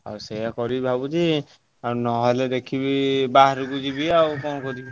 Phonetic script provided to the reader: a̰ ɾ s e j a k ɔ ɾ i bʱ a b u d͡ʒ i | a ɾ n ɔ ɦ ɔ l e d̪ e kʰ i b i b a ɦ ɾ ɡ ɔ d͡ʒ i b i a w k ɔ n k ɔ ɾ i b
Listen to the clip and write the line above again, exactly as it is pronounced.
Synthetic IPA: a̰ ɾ s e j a k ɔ ɾ i bʱ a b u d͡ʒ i | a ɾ n ɔ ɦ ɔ l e d̪ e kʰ i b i b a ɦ ɾ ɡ u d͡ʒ i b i a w k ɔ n k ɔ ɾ i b